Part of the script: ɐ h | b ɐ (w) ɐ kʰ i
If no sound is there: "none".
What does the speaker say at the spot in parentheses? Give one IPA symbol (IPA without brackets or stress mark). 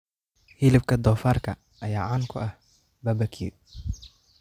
b